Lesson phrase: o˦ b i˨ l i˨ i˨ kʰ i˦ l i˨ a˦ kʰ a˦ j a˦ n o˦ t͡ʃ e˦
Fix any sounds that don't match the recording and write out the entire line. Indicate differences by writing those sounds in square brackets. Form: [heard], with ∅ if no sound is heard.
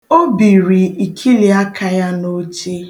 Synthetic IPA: o˦ b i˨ [ɾ] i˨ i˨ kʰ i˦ l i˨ a˦ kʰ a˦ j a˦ n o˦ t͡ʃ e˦